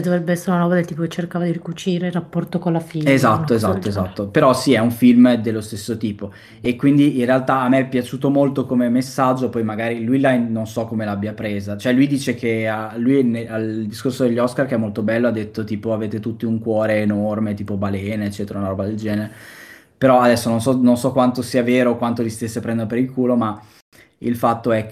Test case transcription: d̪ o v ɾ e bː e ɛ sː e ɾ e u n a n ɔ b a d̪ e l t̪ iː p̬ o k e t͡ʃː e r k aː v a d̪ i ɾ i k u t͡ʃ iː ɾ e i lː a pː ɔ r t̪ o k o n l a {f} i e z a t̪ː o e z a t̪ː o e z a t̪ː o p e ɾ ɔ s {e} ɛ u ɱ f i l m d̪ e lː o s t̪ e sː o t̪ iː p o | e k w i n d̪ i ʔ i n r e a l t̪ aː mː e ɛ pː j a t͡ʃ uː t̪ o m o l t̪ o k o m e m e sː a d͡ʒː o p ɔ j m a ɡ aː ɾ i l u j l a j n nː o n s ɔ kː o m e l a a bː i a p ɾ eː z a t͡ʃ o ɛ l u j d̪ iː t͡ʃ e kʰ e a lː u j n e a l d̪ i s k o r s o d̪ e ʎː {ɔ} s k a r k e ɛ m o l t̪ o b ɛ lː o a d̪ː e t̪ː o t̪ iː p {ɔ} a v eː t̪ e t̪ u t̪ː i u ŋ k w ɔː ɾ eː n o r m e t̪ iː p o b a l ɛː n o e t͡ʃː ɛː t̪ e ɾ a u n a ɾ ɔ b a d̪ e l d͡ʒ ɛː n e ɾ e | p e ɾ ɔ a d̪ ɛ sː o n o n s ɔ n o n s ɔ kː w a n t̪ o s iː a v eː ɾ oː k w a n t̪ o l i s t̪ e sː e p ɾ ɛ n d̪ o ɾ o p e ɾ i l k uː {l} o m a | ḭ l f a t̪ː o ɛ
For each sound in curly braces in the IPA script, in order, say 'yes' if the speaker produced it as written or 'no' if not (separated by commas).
yes, no, yes, no, yes